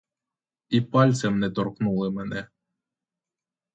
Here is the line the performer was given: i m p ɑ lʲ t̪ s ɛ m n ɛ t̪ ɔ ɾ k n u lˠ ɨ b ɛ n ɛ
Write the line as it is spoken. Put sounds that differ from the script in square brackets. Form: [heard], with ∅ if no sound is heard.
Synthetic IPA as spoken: i [∅] p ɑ lʲ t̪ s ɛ m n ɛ t̪ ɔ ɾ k n u lˠ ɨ [m] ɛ n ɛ